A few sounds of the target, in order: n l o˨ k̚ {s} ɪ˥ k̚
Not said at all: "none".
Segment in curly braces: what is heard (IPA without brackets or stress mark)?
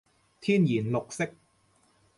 s